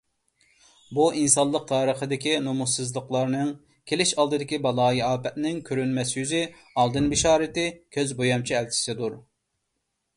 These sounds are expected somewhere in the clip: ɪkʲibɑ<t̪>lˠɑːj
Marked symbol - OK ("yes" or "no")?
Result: no